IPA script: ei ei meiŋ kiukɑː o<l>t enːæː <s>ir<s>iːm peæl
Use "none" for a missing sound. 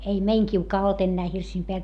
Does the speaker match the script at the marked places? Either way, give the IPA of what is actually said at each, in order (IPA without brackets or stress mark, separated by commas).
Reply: l, h, s